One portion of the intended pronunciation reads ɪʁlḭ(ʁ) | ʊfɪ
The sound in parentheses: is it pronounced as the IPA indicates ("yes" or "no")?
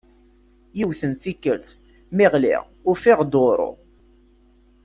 yes